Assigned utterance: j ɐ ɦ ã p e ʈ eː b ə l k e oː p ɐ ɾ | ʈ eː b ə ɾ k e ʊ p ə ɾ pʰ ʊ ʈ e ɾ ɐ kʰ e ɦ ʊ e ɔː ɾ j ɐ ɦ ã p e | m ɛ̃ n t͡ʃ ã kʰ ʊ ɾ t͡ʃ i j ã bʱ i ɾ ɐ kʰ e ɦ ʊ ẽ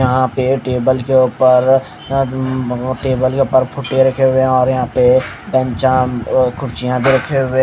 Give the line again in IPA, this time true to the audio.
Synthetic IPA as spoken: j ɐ ɦ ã p e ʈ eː b ə l k e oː p ə ɾ | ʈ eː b ə l k e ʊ p ə ɾ pʰ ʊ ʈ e ɾ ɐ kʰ e ɦ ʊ e ɔː ɾ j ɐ ɦ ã p e | b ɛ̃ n t͡ʃ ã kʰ ʊ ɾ t͡ʃ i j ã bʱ i ɾ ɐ kʰ e ɦ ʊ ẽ